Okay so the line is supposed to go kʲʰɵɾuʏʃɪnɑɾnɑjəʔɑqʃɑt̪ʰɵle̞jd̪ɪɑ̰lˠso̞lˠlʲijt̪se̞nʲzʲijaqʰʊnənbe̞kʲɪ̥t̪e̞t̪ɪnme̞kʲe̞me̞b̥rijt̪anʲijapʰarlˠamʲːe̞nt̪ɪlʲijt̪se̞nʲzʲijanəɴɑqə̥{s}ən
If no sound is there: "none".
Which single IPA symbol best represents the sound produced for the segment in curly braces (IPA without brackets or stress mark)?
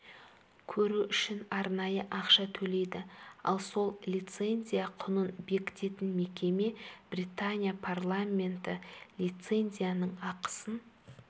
s